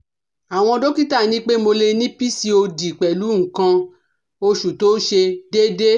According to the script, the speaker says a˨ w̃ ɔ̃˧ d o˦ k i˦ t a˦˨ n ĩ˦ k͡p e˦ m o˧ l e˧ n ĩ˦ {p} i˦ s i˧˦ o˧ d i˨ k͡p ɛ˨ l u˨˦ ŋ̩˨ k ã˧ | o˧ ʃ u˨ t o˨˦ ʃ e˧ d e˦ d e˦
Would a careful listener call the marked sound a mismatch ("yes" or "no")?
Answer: no